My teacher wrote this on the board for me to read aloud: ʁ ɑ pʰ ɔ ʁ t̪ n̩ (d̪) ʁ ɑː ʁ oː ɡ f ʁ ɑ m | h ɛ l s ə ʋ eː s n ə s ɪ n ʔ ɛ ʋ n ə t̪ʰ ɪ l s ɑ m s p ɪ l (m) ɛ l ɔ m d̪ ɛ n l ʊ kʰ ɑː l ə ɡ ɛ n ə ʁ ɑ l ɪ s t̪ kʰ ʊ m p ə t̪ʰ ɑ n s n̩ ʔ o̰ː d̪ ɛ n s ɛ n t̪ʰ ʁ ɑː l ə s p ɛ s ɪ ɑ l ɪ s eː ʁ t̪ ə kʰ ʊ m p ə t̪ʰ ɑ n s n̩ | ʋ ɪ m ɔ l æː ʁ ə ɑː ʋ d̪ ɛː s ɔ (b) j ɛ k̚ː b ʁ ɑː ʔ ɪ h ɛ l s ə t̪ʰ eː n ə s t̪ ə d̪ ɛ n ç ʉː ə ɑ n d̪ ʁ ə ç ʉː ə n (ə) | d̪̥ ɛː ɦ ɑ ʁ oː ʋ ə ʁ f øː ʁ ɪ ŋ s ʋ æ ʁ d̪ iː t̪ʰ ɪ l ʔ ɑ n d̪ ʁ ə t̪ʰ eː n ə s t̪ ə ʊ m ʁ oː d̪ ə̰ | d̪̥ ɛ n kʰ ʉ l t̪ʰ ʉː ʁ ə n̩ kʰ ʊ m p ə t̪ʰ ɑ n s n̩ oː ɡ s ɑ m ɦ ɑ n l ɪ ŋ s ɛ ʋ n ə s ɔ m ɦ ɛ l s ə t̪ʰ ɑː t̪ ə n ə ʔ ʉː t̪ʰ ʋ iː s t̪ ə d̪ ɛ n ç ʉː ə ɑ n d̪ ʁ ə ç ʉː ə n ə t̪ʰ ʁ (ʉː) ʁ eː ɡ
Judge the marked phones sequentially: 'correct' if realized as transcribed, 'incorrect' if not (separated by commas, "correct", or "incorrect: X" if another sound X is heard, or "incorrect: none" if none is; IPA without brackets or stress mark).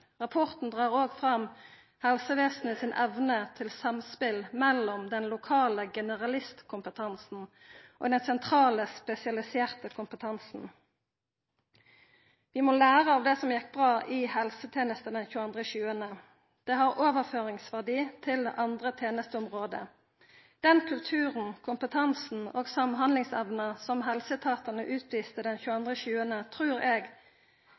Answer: correct, correct, incorrect: m, correct, correct